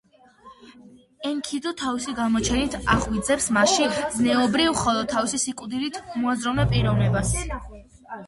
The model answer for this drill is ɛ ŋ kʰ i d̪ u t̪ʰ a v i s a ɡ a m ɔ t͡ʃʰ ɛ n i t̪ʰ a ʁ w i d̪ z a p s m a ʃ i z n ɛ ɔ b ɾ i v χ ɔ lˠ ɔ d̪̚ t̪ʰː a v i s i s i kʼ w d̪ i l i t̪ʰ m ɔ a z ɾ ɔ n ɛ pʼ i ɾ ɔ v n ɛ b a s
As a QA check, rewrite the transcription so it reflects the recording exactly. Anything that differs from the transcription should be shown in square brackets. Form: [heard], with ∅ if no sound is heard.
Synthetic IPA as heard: ɛ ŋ kʰ i d̪ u t̪ʰ a v i s [i] ɡ a m ɔ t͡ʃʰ ɛ n i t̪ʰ a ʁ w i d̪ z [ɛ] p s m a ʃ i z n ɛ ɔ b ɾ i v χ ɔ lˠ ɔ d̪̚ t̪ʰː a v i s i s i kʼ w d̪ i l i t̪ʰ m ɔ a z ɾ ɔ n ɛ pʼ i ɾ ɔ v n ɛ b a s